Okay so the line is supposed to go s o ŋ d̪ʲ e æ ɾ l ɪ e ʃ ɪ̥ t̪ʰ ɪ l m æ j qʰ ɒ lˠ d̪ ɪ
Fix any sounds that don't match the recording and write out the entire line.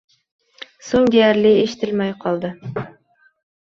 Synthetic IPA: s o ŋ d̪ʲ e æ ɾ l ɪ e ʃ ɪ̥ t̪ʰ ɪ l m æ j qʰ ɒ lˠ d̪ ɪ